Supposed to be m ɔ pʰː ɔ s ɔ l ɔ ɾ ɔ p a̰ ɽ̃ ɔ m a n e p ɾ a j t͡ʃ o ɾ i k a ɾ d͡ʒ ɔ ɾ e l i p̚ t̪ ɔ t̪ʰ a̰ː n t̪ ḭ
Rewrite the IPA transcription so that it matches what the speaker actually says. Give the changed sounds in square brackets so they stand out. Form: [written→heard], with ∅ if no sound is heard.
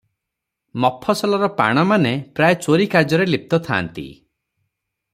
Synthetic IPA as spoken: m ɔ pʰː ɔ s ɔ l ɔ ɾ ɔ p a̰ ɽ̃ ɔ m a n e p ɾ a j t͡ʃ o ɾ i k a ɾ d͡ʒ ɔ ɾ e l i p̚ t̪ ɔ t̪ʰ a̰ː n t̪ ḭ